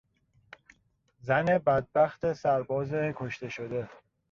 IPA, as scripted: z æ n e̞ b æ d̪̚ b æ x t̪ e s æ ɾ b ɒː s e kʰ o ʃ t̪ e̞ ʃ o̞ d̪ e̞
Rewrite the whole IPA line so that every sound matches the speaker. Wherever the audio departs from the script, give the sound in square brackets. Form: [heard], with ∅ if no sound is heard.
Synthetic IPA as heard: z æ n e̞ b æ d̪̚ b æ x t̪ e s æ ɾ b ɒː [z] e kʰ o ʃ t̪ e̞ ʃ o̞ d̪ e̞